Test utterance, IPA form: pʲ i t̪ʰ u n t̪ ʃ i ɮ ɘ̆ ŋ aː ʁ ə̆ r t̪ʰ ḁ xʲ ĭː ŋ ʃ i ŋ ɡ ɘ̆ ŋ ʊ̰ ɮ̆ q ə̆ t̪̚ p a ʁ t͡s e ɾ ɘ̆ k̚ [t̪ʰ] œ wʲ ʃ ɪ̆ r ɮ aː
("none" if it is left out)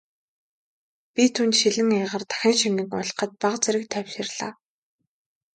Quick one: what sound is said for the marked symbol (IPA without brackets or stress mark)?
t̪ʰ